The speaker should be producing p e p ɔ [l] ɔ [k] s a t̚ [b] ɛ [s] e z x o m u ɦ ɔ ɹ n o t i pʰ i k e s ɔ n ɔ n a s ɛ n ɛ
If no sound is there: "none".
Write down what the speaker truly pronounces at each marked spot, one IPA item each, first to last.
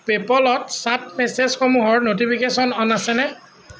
l, t, m, s

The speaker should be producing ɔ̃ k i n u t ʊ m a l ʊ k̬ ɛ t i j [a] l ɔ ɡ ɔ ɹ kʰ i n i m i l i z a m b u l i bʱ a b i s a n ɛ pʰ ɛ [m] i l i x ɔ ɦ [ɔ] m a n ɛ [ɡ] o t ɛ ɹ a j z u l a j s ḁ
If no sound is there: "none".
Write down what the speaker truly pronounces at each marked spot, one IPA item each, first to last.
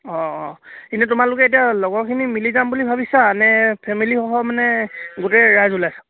a, m, ɔ, ɡ

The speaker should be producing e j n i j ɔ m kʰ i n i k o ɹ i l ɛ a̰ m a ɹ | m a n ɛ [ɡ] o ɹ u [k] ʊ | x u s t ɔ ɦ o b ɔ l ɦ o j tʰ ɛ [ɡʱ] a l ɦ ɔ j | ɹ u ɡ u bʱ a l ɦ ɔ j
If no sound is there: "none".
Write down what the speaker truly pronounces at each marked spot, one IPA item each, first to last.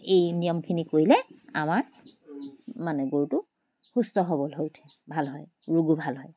ɡ, t, bʱ

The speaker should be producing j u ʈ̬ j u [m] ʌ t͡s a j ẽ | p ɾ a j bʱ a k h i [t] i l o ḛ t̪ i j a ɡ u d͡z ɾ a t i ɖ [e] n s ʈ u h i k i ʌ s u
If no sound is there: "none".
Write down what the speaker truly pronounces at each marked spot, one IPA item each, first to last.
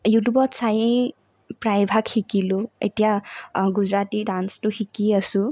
b, k, a

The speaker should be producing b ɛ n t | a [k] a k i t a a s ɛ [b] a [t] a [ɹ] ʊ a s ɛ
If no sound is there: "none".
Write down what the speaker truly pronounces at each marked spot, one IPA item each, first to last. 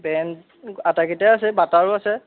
t, b, t, ɹ

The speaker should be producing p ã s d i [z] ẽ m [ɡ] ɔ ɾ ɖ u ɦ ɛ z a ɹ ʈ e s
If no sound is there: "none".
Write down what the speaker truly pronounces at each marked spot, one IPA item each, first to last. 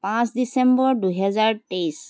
s, b

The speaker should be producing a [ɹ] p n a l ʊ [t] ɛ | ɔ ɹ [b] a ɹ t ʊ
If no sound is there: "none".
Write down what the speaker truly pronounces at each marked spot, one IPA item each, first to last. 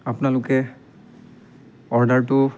none, k, d

